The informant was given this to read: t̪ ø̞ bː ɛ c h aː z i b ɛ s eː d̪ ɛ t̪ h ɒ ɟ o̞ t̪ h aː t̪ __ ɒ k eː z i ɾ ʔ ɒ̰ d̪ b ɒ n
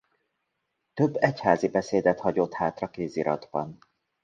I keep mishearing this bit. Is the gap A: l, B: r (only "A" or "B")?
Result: B